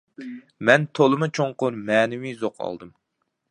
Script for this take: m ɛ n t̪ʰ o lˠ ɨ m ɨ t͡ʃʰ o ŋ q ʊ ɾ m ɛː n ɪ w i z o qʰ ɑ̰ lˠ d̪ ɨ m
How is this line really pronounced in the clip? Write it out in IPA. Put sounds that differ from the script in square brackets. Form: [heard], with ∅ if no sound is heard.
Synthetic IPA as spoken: m ɛ n t̪ʰ o lˠ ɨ m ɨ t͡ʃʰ o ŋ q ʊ ɾ m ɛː n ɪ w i z o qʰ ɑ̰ lˠ d̪ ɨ m